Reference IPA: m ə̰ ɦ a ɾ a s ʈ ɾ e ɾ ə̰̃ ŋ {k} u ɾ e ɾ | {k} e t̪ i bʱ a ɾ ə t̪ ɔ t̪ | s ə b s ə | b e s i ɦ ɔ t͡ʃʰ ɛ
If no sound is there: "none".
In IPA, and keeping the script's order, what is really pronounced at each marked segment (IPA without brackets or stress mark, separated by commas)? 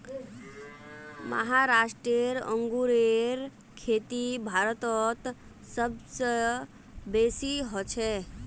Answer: ɡ, kʰ